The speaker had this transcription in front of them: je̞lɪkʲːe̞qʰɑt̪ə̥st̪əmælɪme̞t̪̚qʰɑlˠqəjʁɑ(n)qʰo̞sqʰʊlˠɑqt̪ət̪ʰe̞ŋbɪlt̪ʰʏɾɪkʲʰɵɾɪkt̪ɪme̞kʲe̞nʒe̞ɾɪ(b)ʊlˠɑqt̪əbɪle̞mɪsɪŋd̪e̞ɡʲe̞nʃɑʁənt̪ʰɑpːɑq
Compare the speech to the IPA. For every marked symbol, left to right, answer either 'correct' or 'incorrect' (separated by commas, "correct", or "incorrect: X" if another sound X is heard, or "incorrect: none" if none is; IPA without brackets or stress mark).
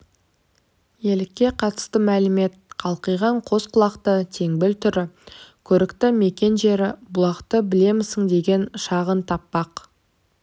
incorrect: ɴ, correct